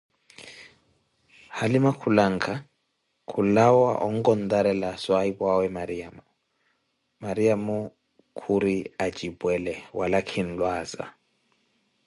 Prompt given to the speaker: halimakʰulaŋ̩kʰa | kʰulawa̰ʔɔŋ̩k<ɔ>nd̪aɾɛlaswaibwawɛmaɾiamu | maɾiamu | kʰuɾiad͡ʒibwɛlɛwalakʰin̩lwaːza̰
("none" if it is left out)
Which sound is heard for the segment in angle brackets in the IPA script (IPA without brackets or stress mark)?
ɔ